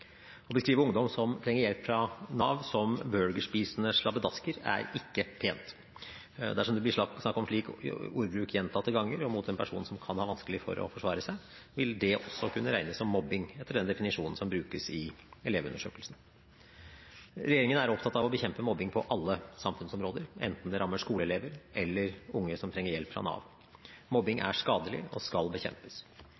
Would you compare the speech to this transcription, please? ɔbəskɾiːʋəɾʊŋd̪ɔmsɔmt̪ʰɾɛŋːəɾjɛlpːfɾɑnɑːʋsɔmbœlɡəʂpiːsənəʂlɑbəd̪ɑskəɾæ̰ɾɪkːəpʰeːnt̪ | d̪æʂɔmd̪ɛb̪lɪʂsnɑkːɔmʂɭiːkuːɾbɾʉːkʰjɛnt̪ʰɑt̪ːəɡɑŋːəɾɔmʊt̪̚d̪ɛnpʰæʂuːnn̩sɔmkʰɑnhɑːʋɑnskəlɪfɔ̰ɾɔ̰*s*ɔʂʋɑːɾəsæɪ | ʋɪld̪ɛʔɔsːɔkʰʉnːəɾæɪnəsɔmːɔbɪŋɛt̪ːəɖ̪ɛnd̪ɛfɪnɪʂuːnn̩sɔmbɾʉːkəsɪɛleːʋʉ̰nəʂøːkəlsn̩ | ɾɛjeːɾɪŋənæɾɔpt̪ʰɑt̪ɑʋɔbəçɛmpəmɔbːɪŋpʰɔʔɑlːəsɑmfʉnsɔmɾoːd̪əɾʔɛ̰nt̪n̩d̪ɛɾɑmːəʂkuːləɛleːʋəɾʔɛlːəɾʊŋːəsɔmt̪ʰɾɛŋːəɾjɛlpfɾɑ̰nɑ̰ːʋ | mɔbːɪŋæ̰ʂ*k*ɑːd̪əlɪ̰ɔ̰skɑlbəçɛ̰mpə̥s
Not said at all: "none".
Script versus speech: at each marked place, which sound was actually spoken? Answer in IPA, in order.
f, k

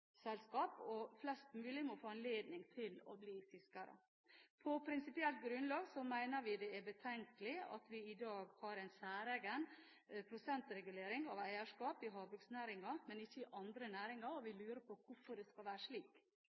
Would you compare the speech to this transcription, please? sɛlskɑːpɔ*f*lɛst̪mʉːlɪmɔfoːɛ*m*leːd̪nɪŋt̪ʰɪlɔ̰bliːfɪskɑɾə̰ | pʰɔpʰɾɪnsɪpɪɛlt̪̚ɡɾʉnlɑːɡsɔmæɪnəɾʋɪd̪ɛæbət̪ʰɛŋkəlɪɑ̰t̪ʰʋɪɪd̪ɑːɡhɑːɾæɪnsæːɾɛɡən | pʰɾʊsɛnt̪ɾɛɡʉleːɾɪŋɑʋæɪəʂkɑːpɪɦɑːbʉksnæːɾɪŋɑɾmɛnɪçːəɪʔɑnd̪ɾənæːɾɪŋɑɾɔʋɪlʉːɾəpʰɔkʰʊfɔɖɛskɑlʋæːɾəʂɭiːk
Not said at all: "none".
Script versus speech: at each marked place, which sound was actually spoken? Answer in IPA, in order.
f, n

